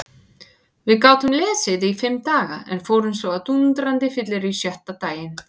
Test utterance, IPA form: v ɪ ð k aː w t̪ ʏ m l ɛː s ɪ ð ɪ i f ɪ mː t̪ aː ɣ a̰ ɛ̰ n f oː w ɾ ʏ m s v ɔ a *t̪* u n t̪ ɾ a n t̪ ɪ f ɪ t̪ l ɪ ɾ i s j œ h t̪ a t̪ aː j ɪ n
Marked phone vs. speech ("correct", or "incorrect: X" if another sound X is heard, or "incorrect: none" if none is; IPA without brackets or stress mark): correct